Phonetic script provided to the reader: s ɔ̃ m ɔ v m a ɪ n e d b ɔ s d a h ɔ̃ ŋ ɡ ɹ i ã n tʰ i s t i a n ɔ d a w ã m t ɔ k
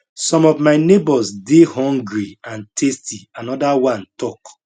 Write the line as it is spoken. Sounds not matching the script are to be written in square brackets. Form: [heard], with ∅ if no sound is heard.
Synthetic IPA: s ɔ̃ m ɔ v m a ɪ n e [∅] b ɔ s d [e] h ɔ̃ ŋ ɡ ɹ i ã n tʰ [e] s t i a n ɔ d a w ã [n] t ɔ k